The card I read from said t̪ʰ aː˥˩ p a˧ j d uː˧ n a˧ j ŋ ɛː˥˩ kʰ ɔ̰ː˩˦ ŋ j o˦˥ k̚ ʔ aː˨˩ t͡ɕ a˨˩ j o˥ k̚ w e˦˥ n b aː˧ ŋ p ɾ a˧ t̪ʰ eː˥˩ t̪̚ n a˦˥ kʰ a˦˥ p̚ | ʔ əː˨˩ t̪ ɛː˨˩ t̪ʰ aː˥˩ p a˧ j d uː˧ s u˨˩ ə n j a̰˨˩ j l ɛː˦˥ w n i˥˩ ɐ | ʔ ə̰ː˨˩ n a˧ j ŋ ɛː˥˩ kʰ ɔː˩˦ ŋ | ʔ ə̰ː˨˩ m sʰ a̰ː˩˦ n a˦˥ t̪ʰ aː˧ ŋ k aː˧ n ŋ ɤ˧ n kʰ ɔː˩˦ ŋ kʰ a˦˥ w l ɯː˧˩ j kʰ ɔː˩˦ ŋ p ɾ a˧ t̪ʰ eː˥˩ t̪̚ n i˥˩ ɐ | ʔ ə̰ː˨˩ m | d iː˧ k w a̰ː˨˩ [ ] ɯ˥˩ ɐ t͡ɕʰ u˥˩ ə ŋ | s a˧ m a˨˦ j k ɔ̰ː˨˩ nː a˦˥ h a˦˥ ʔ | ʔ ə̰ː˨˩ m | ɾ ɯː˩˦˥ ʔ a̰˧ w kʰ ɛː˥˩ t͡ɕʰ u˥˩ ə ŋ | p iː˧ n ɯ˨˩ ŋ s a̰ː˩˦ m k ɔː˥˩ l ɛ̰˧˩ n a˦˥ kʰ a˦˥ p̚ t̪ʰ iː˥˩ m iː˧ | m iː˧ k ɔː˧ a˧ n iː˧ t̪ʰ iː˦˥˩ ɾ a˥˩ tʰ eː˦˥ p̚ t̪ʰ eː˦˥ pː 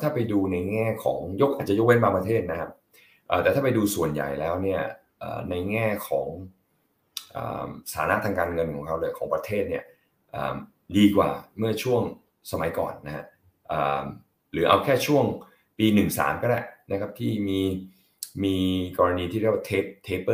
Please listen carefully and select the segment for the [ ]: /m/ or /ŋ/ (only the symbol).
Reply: m